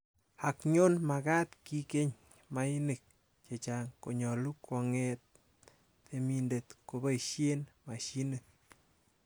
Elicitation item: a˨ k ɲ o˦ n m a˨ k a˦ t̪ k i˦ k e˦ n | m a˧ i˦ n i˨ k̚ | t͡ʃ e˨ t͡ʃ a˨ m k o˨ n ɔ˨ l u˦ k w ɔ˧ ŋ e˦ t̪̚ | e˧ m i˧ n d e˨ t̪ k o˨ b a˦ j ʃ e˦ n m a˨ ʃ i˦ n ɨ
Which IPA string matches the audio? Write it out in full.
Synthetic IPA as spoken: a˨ k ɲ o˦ n m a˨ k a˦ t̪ k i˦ k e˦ ɲ | m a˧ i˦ n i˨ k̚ | t͡ʃ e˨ t͡ʃ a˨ ŋ k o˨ ɲ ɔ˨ l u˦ k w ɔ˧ ŋ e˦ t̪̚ | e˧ m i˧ n d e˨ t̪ k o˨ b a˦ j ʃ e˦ n m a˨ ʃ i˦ n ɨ